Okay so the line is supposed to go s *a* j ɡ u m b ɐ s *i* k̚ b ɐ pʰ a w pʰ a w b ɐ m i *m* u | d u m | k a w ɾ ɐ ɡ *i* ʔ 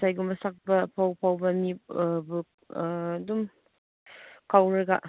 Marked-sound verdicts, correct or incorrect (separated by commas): correct, incorrect, incorrect, incorrect